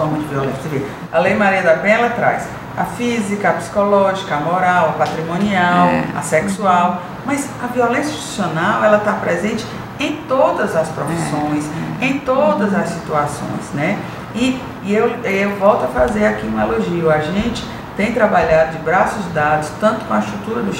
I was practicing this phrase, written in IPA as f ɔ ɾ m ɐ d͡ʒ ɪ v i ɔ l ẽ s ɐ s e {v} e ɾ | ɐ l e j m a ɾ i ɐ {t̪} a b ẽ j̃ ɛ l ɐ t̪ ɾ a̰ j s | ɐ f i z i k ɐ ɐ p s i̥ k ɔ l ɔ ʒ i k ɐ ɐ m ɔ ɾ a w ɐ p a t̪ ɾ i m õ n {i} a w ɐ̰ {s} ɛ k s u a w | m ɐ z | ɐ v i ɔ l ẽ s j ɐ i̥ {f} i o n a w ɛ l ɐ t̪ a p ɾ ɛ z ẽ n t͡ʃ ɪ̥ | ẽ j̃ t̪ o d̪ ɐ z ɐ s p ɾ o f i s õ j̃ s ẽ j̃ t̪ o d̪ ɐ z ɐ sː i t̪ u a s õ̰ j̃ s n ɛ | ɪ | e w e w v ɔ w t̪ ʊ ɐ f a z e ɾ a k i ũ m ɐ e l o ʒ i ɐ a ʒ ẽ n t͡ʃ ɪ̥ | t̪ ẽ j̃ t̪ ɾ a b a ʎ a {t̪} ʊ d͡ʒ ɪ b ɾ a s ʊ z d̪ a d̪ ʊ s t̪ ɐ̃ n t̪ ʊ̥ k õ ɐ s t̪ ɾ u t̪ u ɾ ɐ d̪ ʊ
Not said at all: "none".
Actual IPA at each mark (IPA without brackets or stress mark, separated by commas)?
v, d̪, i, s, s, d̪